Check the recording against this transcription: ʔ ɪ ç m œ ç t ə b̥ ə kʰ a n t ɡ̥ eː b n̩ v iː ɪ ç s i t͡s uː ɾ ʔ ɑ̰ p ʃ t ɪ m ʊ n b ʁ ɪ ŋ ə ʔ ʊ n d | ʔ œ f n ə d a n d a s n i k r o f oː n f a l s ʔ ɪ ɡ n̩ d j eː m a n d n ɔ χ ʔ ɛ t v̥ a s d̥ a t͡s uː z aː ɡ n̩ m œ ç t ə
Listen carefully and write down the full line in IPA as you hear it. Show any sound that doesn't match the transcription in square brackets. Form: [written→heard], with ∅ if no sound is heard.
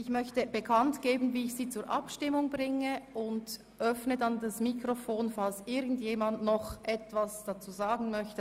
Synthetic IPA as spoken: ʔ ɪ ç m œ ç t ə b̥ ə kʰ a n t ɡ̥ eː b n̩ v iː ɪ ç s [i→iː] t͡s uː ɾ ʔ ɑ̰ p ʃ t ɪ m ʊ [n→ŋ] b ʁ ɪ ŋ ə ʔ ʊ n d | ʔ œ f n ə d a n d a s [n→m] i k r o f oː n f a l s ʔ ɪ ɡ n̩ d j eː m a n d n ɔ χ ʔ ɛ t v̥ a s d̥ a t͡s uː z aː ɡ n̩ m œ ç t ə